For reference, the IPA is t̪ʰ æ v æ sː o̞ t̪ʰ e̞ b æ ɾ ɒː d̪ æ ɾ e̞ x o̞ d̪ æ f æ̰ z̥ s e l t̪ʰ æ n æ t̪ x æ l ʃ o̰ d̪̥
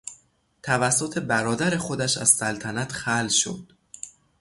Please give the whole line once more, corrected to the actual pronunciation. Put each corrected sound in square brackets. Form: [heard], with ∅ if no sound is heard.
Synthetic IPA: t̪ʰ æ v æ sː o̞ t̪ʰ e̞ b æ ɾ ɒː d̪ æ ɾ e̞ x o̞ d̪ æ [ʃ] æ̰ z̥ s [æ] l t̪ʰ æ n æ t̪ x æ l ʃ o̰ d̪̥